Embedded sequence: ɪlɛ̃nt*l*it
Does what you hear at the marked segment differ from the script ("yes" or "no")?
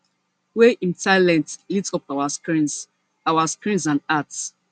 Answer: no